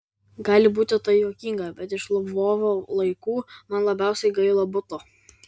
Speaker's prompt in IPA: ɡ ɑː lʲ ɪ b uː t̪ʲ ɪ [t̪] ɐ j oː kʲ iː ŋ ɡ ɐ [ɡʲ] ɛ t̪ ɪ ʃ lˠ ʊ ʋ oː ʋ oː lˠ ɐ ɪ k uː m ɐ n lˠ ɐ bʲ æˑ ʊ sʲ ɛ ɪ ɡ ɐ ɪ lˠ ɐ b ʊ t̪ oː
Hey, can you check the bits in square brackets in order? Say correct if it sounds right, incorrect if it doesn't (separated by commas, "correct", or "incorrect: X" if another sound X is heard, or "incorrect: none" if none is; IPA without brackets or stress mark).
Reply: correct, incorrect: bʲ